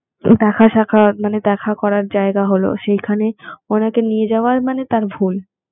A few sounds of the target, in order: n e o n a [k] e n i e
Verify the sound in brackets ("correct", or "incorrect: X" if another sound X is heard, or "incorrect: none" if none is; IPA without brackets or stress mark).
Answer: correct